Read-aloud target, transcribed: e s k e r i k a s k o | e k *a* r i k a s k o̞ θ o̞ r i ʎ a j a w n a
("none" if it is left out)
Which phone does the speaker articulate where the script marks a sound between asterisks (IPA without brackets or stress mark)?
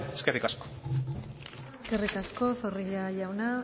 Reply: e